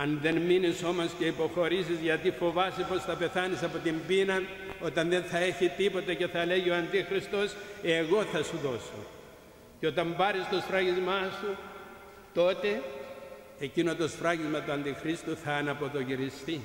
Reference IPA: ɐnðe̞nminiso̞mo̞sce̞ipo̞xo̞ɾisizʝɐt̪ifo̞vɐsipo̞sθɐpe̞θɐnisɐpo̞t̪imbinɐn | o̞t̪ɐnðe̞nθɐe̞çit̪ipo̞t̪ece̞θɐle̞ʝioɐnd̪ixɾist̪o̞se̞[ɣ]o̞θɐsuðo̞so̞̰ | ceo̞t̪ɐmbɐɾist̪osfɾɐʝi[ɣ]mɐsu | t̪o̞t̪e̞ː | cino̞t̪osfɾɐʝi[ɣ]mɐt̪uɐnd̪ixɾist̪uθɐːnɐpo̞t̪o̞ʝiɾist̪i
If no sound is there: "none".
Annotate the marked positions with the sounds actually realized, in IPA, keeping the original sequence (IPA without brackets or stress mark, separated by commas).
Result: ɣ, z, z